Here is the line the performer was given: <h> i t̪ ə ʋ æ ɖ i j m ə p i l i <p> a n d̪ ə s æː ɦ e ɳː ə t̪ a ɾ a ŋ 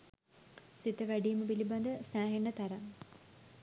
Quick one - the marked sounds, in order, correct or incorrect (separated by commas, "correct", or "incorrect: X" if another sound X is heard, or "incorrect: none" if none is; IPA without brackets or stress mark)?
incorrect: s, incorrect: b